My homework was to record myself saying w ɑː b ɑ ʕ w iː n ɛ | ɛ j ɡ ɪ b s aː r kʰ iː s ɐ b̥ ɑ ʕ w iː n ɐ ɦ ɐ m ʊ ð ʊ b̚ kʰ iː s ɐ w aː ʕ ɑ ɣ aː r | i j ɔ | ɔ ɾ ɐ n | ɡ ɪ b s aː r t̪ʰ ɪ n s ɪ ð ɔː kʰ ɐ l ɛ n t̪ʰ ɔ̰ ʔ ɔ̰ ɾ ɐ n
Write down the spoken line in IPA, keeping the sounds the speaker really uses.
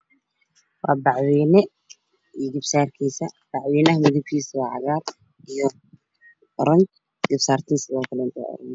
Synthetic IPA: w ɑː b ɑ ʕ w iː n ɛ | i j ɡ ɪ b s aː r kʰ iː s ɐ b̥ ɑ ʕ w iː n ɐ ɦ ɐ m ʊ ð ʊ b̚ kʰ iː s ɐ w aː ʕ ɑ ɣ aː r | i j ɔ | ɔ ɾ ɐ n | ɡ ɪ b s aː r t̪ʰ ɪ n s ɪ ð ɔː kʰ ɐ l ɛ n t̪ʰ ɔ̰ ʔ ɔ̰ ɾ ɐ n